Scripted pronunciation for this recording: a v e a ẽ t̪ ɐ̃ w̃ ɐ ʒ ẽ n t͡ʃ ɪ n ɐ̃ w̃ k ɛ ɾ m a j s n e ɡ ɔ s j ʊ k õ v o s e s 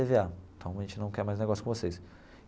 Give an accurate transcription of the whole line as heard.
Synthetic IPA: e v e a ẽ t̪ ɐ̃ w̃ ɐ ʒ ẽ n t͡ʃ ɪ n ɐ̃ w̃ k ɛ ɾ m a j z n e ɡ ɔ s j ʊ k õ v o s e s